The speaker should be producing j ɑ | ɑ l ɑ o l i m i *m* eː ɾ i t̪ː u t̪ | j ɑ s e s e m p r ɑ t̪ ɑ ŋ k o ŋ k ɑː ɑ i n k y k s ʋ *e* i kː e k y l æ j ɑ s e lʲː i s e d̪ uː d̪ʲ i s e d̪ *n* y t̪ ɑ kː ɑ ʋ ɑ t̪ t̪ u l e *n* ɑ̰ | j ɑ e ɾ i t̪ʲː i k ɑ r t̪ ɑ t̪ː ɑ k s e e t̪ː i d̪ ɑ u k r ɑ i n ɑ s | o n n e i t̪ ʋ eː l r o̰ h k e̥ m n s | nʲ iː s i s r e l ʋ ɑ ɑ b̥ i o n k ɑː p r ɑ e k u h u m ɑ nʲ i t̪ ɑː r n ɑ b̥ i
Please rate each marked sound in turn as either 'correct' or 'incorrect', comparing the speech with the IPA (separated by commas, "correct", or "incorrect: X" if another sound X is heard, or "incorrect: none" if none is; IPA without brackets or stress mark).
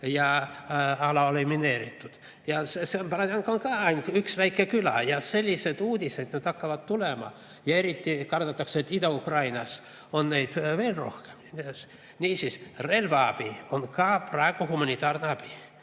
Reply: incorrect: n, incorrect: æ, correct, incorrect: m